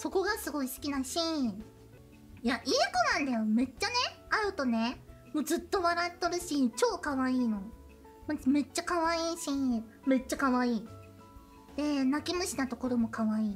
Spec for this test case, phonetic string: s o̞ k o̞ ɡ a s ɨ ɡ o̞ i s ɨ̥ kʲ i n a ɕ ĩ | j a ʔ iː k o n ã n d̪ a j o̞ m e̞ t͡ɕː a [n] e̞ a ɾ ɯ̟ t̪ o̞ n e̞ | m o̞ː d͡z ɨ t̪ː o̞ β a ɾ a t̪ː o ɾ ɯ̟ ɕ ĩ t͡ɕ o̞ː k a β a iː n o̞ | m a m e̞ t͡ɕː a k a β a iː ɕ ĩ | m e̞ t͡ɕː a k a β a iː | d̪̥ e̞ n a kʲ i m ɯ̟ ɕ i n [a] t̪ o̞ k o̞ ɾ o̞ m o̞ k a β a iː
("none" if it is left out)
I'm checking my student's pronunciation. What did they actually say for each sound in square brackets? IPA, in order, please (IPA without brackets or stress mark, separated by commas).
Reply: n, a